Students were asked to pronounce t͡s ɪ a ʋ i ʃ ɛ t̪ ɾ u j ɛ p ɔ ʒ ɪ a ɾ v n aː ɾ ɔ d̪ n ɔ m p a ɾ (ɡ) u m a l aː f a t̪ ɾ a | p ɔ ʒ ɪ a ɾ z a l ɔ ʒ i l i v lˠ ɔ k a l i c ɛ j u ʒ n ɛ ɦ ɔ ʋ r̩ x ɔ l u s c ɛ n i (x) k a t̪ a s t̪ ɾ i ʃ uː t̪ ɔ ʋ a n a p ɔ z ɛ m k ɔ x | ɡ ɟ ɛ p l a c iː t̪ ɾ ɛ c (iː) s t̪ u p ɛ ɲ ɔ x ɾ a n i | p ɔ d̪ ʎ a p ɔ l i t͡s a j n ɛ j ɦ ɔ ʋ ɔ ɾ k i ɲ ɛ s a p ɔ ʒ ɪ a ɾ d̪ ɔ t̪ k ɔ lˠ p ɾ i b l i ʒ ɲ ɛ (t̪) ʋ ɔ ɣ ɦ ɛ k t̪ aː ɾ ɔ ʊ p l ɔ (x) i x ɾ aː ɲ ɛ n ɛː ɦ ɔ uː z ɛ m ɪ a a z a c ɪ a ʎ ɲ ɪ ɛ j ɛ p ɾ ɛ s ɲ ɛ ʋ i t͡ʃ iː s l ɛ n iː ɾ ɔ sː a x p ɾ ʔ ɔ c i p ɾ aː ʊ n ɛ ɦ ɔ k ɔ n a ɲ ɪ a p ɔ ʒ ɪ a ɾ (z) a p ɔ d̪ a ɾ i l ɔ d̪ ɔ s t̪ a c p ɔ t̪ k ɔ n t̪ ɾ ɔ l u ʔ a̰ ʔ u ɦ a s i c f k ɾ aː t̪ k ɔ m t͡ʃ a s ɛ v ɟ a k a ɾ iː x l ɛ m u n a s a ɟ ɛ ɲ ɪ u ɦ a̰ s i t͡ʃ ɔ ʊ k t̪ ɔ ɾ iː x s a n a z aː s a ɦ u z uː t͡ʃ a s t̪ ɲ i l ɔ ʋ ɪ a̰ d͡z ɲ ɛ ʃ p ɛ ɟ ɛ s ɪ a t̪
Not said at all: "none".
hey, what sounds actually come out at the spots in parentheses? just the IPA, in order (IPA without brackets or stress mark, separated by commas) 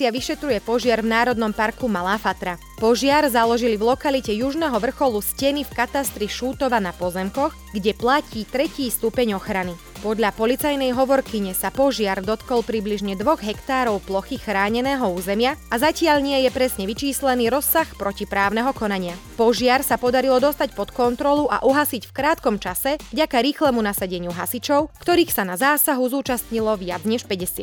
k, f, iː, d̪, x, s